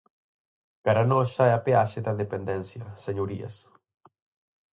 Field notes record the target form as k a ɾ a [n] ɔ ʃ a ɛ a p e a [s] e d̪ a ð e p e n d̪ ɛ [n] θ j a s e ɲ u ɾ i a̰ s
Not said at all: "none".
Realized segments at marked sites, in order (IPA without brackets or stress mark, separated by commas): n, ʃ, n